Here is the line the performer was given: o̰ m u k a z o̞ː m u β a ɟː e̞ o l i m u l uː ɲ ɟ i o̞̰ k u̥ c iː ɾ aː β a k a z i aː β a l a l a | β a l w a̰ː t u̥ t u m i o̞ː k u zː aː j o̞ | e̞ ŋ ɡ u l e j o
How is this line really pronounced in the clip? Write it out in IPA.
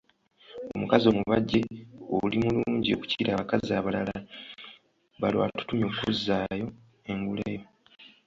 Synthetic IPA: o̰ m u k a z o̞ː m u β a ɟː e̞ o l i m u l uː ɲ ɟ i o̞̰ k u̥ c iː ɾ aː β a k a z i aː β a l a l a | β a l w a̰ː t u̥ t u m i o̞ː k u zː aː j o̞ | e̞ ŋ ɡ u l e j o